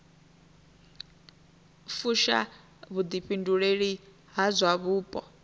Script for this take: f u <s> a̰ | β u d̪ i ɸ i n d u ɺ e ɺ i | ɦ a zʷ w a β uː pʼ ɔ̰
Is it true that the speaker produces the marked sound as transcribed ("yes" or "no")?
no